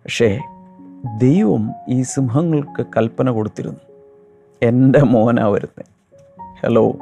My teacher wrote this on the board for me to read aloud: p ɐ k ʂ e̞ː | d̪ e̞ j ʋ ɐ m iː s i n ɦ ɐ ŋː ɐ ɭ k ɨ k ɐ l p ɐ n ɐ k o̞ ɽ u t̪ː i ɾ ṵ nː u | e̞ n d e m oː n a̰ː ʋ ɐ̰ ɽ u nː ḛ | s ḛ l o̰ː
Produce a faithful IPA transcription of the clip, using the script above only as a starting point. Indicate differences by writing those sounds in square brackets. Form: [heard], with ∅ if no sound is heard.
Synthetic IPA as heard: p ɐ k ʂ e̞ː | d̪ e̞ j ʋ ɐ m iː s i [m] ɦ ɐ ŋː ɐ ɭ k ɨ k ɐ l p ɐ n ɐ k o̞ ɽ u t̪ː i ɾ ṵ nː u | e̞ n d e m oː n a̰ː ʋ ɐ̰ [ɾ] u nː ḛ | [h] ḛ l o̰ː